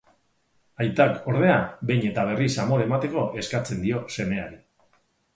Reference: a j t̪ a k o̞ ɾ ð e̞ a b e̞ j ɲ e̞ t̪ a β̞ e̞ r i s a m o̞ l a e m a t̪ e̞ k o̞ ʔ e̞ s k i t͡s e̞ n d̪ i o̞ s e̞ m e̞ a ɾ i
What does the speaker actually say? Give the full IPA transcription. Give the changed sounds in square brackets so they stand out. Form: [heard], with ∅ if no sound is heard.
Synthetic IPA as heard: a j t̪ a k o̞ ɾ ð e̞ a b e̞ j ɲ e̞ t̪ a β̞ e̞ r i s a m o̞ [ɾ] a e m a t̪ e̞ k o̞ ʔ e̞ s k [a] t͡s e̞ n d̪ i o̞ s e̞ m e̞ a ɾ i